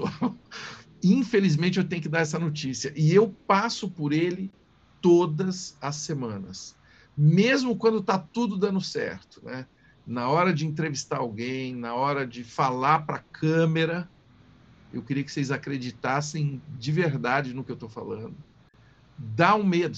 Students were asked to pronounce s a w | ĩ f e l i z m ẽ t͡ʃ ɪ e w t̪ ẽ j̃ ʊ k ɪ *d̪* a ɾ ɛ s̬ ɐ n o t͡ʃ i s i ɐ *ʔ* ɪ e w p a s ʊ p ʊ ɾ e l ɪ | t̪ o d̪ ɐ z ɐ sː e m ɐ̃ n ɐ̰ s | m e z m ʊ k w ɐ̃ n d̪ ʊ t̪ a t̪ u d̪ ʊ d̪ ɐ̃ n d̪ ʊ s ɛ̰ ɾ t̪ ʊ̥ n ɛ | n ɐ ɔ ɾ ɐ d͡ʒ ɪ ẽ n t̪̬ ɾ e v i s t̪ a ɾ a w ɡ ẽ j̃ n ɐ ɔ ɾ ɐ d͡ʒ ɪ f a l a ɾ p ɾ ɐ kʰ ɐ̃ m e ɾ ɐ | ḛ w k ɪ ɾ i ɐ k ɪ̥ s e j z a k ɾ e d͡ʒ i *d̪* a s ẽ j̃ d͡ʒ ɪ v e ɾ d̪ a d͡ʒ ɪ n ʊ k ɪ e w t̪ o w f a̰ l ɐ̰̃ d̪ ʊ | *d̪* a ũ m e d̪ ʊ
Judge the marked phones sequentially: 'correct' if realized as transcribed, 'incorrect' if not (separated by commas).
correct, correct, incorrect, correct